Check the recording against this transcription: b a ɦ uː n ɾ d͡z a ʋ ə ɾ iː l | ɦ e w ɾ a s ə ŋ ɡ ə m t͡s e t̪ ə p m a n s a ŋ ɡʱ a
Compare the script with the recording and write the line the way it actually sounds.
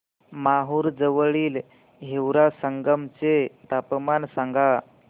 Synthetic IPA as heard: m a ɦ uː ɾ d͡z ə ʋ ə ɭ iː l | ɦ e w ɾ a s ə ŋ ɡ ə m t͡s e t̪ a p m a n s a ŋ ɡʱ a

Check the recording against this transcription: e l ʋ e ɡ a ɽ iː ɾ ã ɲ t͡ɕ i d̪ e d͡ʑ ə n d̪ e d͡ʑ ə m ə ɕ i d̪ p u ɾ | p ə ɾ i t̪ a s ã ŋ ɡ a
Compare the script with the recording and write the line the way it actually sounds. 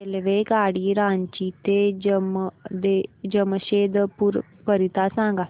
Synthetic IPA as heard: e l ʋ e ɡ a ɽ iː ɾ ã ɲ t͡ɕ i t̪ e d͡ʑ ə m d̪ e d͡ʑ ə m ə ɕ e d̪ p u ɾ | p ə ɾ i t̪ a s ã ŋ ɡ a

